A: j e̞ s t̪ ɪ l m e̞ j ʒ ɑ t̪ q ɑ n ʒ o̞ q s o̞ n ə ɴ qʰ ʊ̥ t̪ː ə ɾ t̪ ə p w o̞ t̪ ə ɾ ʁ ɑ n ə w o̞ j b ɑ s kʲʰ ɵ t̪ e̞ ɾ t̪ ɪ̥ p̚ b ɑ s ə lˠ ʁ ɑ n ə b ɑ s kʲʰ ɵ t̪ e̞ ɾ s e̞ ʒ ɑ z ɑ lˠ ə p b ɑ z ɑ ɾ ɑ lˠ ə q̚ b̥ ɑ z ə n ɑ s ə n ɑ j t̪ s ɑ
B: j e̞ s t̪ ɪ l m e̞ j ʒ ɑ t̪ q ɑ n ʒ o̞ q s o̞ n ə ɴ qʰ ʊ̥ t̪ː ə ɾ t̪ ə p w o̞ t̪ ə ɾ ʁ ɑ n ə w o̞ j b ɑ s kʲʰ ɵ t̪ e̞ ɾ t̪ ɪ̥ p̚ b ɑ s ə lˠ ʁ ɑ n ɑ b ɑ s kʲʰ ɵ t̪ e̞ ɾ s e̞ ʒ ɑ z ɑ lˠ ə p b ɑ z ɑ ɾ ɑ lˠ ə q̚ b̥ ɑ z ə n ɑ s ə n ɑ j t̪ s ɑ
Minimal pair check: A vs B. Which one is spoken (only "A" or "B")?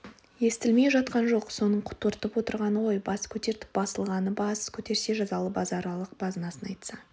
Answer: A